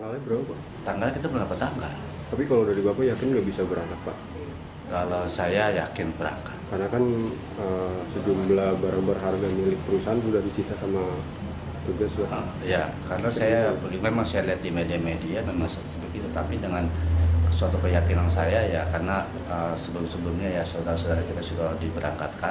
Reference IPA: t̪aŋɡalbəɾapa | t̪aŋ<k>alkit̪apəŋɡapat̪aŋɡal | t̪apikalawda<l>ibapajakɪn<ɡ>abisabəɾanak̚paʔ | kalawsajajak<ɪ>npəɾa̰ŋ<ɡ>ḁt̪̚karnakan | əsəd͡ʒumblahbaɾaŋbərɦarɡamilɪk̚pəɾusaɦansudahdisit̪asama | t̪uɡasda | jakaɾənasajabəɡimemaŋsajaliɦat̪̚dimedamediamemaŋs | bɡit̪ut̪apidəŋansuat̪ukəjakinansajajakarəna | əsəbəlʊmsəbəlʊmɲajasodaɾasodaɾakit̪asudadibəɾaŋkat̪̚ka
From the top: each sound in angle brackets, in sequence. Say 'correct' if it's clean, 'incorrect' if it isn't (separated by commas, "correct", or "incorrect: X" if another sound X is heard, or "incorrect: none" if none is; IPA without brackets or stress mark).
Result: incorrect: ɡ, incorrect: ɾ, correct, correct, incorrect: k